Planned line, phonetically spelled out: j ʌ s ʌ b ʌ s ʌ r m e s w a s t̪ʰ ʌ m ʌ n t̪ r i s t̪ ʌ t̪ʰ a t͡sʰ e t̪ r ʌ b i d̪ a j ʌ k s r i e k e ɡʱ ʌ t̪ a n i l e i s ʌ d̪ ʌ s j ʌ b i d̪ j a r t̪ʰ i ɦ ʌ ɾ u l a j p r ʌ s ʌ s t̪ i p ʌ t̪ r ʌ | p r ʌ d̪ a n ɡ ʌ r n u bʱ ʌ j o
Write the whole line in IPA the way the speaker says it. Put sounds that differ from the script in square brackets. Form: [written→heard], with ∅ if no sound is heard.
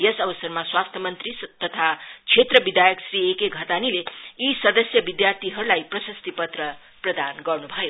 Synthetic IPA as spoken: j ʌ s ʌ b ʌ s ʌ r m [e→a] s w a s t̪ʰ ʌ m ʌ n t̪ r i s t̪ ʌ t̪ʰ a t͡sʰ e t̪ r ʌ b i d̪ a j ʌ k s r i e k e ɡʱ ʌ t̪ a n i l e i s ʌ d̪ ʌ s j ʌ b i d̪ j a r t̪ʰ i ɦ ʌ ɾ u l a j p r ʌ s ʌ s t̪ i p ʌ t̪ r ʌ | p r ʌ d̪ a n ɡ ʌ r n u bʱ ʌ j o

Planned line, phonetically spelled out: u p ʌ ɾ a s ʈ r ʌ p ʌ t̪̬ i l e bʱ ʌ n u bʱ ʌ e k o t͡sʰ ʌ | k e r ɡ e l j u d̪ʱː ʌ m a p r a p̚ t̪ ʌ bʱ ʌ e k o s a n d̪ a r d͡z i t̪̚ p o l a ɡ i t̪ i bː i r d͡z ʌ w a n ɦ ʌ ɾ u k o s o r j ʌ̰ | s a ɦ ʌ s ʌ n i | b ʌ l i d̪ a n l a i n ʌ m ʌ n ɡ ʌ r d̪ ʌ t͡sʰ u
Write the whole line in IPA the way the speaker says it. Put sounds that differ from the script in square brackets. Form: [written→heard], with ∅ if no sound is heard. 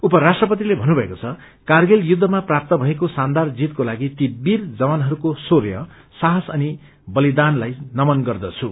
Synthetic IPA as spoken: u p ʌ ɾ a s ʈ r ʌ p ʌ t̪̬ i l e bʱ ʌ n u bʱ ʌ e k o t͡sʰ ʌ | k [e→a] r ɡ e l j u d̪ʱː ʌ m a p r a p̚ t̪ ʌ bʱ ʌ e k o s a n d̪ a r d͡z i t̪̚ [p→k] o l a ɡ i t̪ i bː i r d͡z ʌ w a n ɦ ʌ ɾ u k o s o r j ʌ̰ | s a ɦ ʌ s ʌ n i | b ʌ l i d̪ a n l a [i→j] n ʌ m ʌ n ɡ ʌ r d̪ ʌ t͡sʰ u

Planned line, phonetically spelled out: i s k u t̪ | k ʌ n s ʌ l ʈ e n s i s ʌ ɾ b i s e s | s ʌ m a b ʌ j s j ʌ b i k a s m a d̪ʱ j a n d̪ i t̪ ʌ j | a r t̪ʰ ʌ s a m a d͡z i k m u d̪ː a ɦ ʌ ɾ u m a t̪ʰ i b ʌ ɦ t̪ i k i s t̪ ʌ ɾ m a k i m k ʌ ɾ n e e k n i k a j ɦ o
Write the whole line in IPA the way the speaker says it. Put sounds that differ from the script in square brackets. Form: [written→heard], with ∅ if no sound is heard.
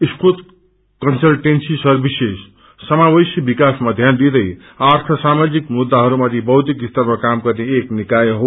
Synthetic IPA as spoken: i s k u t̪ | k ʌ n s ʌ l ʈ e n s i s ʌ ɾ b i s e s | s ʌ m a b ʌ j s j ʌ b i k a s m a d̪ʱ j a n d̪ i [t̪→d̪] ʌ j | a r t̪ʰ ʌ s a m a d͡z i k m u d̪ː a ɦ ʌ ɾ u m a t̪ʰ i b ʌ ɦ t̪ i k i s t̪ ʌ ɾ m a k [i→a] m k ʌ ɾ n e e k n i k a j ɦ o

